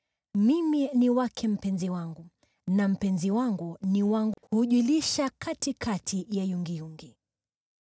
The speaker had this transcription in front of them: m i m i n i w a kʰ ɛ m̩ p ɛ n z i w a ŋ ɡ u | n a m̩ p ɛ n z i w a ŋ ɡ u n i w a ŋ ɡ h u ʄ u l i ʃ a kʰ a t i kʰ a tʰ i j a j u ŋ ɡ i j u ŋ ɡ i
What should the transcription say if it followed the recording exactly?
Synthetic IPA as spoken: m i m i n i w a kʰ ɛ m̩ p ɛ n z i w a ŋ ɡ u | n a m̩ p ɛ n z i w a ŋ ɡ u n i w a ŋ ɡ h u ʄ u l i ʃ a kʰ a t i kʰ a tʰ i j a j u ŋ ɡ i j u ŋ ɡ i